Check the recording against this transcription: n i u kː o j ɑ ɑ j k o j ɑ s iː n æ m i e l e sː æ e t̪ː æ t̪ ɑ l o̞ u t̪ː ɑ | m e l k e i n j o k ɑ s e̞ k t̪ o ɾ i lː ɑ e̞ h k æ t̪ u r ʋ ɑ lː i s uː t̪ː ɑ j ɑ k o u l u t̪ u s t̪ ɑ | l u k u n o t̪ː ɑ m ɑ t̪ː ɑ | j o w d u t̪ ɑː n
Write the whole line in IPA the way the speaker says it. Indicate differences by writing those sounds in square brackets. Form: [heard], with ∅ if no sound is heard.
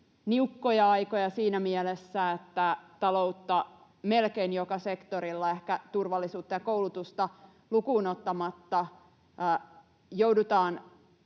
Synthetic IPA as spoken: n i u kː o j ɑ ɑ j k o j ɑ s iː n æ m i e l e sː æ e t̪ː æ t̪ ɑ l o̞ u t̪ː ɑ | m e l k e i n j o k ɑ s e̞ k t̪ o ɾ i lː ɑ e̞ h k æ t̪ u r ʋ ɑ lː i s uː t̪ː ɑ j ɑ k o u l u t̪ u s t̪ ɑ | l u k [uː] n o t̪ː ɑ m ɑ t̪ː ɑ | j o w d u t̪ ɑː n